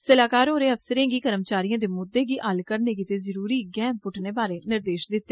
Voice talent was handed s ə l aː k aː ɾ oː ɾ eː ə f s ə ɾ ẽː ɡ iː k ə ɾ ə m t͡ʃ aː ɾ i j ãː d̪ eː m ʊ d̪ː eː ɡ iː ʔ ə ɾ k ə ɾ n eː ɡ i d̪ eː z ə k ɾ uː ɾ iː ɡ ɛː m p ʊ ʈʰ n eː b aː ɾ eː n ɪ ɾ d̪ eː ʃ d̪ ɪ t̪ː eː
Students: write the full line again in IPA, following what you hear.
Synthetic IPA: s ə l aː k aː ɾ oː ɾ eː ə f s ə ɾ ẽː ɡ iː k ə ɾ ə m t͡ʃ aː ɾ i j ãː d̪ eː m ʊ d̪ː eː ɡ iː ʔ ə l k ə ɾ n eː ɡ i t̪ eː z ə ɾ uː ɾ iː ɡ ɛː m p ʊ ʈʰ n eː b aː ɾ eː n ɪ ɾ d̪ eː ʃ d̪ ɪ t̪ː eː